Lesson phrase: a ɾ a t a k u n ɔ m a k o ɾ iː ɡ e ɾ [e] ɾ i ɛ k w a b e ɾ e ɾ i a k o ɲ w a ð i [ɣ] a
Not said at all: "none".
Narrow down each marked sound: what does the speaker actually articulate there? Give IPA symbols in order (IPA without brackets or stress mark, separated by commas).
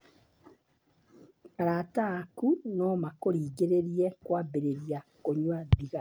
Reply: e, ɣ